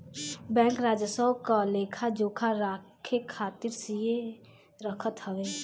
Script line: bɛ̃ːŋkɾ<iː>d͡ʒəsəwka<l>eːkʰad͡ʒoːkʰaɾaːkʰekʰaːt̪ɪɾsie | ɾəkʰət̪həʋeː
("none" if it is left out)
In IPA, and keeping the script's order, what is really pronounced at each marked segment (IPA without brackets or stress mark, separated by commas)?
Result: aː, l